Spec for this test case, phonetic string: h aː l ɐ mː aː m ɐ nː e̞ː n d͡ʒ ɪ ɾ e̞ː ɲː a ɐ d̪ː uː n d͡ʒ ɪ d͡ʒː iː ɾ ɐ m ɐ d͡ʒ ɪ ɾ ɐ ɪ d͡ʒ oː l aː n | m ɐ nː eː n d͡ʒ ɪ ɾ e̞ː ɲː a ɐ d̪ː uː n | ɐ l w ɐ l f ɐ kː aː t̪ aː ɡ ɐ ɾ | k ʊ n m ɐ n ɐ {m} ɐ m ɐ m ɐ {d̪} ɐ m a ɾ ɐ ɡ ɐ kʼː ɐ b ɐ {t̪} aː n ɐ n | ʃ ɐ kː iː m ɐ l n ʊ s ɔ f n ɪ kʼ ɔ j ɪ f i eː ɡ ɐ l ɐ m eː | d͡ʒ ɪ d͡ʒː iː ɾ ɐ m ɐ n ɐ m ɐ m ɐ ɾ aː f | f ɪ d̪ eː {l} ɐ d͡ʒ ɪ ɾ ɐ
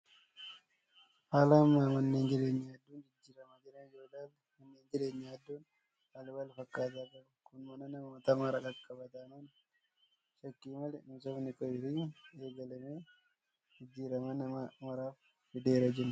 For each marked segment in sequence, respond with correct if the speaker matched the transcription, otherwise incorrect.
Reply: incorrect, incorrect, correct, incorrect

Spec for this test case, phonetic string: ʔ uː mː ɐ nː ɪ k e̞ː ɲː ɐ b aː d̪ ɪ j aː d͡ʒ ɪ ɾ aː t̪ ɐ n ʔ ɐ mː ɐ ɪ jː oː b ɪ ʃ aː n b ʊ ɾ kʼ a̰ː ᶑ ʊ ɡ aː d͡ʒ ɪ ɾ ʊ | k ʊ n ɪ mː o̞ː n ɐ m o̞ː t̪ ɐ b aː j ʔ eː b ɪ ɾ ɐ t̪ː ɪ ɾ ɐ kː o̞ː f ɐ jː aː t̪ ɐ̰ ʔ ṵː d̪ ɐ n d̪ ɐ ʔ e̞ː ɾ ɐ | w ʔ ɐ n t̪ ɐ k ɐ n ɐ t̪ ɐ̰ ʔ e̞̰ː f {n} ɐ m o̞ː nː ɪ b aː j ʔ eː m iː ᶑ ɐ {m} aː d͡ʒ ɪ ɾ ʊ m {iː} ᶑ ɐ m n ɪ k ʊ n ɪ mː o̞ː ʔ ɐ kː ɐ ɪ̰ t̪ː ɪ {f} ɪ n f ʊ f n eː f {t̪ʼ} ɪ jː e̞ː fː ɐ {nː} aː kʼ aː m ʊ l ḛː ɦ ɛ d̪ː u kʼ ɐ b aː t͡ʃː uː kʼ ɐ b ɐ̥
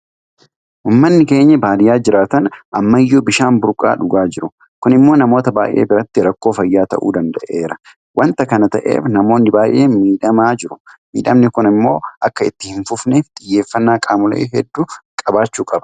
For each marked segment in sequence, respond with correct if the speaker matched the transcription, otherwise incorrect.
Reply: correct, correct, correct, incorrect, correct, correct

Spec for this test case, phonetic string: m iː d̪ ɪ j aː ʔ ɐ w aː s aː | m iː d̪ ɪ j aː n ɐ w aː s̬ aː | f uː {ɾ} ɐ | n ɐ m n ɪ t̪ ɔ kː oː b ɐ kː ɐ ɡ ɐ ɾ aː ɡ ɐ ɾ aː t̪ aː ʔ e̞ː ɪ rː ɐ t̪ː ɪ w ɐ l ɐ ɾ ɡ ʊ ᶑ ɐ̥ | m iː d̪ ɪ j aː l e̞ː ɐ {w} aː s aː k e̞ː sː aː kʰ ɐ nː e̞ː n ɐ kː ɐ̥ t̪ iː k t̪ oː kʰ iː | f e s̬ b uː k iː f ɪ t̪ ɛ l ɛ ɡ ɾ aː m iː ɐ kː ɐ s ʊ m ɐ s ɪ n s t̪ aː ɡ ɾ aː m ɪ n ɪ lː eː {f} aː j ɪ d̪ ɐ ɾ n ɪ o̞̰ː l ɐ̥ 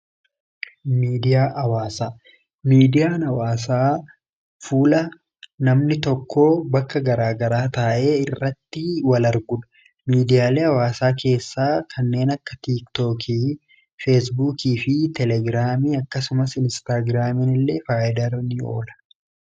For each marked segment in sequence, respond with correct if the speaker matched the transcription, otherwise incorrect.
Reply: incorrect, correct, correct

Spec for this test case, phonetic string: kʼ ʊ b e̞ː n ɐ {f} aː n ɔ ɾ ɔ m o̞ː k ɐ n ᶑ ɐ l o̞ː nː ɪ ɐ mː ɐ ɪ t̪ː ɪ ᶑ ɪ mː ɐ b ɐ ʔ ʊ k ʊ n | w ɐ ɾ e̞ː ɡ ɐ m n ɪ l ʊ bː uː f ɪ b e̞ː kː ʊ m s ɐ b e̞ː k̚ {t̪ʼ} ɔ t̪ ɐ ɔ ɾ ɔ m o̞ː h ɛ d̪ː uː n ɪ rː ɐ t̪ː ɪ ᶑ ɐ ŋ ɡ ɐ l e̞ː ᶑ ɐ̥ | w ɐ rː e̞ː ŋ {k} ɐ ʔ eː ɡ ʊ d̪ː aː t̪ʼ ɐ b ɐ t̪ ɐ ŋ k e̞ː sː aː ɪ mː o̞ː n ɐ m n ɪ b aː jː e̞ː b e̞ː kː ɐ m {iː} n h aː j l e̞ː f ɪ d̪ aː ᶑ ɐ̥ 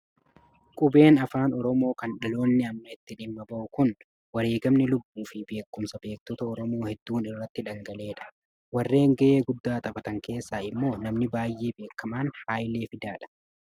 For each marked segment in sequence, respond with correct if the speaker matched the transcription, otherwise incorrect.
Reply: correct, incorrect, incorrect, incorrect

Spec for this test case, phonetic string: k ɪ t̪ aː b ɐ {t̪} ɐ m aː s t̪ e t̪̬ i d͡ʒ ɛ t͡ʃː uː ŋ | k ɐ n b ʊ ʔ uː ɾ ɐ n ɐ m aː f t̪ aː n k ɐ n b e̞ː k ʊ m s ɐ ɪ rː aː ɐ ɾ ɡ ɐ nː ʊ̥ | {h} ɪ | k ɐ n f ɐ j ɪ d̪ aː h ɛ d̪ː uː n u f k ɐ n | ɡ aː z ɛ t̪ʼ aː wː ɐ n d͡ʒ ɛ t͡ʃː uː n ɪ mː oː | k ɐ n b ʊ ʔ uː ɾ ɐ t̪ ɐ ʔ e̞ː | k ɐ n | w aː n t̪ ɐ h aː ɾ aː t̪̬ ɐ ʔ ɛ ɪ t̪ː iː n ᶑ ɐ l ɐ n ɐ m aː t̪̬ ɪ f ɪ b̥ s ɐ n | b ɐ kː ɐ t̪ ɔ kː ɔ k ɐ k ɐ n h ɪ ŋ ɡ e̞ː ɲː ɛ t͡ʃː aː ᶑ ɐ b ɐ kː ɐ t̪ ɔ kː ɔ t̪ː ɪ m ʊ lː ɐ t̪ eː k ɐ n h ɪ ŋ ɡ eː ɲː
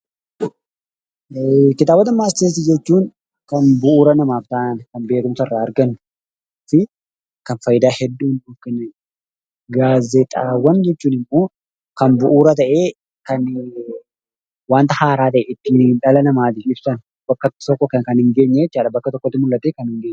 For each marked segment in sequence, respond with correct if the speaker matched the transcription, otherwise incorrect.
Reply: correct, incorrect

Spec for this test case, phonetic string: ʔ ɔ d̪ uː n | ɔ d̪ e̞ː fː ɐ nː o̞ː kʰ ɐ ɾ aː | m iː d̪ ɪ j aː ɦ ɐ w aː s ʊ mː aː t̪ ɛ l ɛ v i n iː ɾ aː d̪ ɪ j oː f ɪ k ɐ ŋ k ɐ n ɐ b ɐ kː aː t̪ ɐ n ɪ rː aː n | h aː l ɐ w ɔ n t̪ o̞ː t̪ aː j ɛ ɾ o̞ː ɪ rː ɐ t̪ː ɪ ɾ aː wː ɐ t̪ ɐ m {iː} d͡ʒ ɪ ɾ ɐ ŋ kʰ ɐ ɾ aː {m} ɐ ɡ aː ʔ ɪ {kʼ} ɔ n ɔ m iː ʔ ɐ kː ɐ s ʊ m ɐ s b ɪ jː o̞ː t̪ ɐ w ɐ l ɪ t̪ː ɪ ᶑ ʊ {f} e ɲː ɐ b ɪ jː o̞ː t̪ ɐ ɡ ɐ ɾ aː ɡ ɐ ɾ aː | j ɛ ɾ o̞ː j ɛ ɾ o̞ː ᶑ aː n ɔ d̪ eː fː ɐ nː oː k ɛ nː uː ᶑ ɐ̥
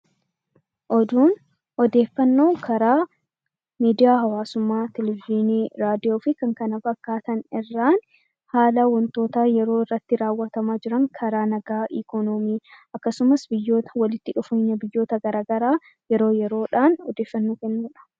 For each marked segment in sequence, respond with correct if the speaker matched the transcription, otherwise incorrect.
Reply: incorrect, incorrect, incorrect, correct

